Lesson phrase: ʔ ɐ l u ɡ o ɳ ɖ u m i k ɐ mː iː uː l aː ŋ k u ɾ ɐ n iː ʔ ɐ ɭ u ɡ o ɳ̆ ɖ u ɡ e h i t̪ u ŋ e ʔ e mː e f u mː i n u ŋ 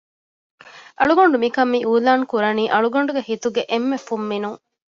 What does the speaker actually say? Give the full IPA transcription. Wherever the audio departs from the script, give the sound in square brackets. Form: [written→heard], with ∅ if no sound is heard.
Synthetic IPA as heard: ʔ ɐ [l→ɭ] u ɡ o ɳ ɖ u m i k ɐ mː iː uː l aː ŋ k u ɾ ɐ n iː ʔ ɐ ɭ u ɡ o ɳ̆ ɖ u ɡ e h i t̪ u [ŋ→ɡ] e ʔ e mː e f u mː i n u ŋ